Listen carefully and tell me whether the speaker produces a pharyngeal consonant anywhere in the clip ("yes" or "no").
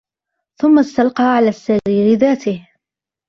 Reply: yes